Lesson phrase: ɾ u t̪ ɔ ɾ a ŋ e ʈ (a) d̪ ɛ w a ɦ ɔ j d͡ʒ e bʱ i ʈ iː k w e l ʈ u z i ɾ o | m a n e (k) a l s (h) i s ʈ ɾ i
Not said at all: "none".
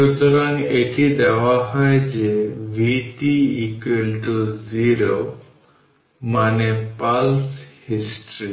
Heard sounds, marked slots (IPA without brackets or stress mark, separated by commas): i, p, h